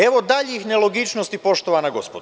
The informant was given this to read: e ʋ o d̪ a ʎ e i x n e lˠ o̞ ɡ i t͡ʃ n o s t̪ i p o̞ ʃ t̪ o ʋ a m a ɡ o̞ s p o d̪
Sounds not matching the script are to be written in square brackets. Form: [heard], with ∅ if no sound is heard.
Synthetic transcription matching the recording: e ʋ o d̪ a ʎ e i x n e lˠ o̞ ɡ i t͡ʃ n o s t̪ i p o̞ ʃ t̪ o ʋ a [n] a ɡ o̞ s p o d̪

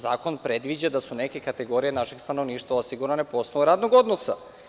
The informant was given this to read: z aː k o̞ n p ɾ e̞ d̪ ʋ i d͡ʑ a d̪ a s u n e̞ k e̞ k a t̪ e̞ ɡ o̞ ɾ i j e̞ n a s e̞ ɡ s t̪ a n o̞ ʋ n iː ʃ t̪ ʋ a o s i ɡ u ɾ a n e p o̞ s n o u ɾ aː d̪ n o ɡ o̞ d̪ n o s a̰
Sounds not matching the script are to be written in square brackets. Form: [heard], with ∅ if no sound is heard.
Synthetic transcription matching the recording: z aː k o̞ n p ɾ e̞ d̪ ʋ i d͡ʑ a d̪ a s u n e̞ k e̞ k a t̪ e̞ ɡ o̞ ɾ i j e̞ n a [ʃ] e̞ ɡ s t̪ a n o̞ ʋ n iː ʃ t̪ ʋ a o s i ɡ u ɾ a n e p o̞ s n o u ɾ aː d̪ n o ɡ o̞ d̪ n o s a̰

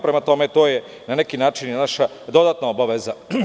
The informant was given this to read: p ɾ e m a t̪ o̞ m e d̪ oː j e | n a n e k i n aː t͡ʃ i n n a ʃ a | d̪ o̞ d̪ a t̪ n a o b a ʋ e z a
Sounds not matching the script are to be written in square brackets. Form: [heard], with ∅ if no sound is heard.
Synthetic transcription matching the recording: p ɾ e m a t̪ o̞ m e [t̪] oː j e | n a n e k i n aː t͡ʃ i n n a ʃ a | d̪ o̞ d̪ a t̪ n a o b a ʋ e z a

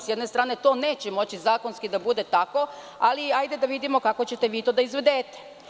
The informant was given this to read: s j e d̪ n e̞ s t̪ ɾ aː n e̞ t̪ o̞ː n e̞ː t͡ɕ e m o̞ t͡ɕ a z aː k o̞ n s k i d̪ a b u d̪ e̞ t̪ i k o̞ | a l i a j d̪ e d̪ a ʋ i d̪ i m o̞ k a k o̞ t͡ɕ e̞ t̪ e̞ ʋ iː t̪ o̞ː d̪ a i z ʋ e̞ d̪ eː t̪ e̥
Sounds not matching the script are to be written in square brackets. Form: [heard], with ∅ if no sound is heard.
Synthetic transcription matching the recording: s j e d̪ n e̞ s t̪ ɾ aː n e̞ t̪ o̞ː n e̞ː t͡ɕ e m o̞ t͡ɕ [i] z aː k o̞ n s k i d̪ a b u d̪ e̞ t̪ [a] k o̞ | a l i a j d̪ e d̪ a ʋ i d̪ i m o̞ k a k o̞ t͡ɕ e̞ t̪ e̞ ʋ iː t̪ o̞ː d̪ a i z ʋ e̞ d̪ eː t̪ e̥

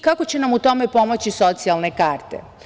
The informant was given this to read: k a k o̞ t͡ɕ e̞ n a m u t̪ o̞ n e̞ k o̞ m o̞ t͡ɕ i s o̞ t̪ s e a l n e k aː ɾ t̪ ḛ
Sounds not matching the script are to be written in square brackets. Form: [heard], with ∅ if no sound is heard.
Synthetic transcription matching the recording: k a k o̞ t͡ɕ e̞ n a m u t̪ o̞ [m] e̞ [p] o̞ m o̞ t͡ɕ i s o̞ t̪ s [i] a l n e k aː ɾ t̪ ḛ

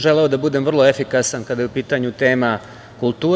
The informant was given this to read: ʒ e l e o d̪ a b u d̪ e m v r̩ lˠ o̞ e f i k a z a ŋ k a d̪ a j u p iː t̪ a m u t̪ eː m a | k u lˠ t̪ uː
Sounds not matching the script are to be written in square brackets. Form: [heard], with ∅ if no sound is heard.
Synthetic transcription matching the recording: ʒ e l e o d̪ a b u d̪ e m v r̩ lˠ o̞ e f i k a [s] a [n] k a d̪ a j u p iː t̪ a [ɲ] u t̪ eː m a | k u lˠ t̪ uː

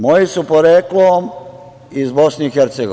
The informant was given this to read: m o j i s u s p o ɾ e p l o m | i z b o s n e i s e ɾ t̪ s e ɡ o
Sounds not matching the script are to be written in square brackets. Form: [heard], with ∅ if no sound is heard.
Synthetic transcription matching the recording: m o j i s u [∅] p o ɾ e [k] l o m | i z b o s n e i [x] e ɾ t̪ s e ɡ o

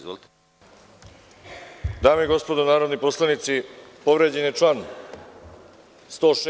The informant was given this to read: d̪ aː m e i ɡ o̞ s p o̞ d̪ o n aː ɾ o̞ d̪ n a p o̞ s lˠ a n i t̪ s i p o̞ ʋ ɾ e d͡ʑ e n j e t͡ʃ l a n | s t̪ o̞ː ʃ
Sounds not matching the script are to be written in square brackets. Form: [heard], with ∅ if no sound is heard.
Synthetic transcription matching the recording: d̪ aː m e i ɡ o̞ s p o̞ d̪ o n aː ɾ o̞ d̪ n [i] p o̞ s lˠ a n i t̪ s i p o̞ ʋ ɾ e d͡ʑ e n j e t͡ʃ l a n | s t̪ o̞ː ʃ

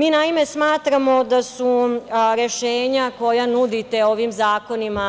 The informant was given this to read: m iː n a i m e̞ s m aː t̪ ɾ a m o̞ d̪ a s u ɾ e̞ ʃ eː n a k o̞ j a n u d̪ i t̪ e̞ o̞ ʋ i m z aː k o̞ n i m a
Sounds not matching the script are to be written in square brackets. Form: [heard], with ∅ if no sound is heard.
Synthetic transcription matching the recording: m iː n a i m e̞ s m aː t̪ ɾ a m o̞ d̪ a s u ɾ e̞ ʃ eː [ɲ] a k o̞ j a n u d̪ i t̪ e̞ o̞ ʋ i m z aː k o̞ n i m a

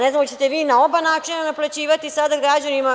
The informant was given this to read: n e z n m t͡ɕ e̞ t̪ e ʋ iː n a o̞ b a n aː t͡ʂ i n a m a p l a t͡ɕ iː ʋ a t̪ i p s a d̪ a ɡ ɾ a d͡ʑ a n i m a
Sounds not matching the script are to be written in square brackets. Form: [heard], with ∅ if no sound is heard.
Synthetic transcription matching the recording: n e z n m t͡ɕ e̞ t̪ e ʋ iː n a o̞ b a n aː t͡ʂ i n a [n] a p l a t͡ɕ iː ʋ a t̪ i [∅] s a d̪ a ɡ ɾ a d͡ʑ a n i m a

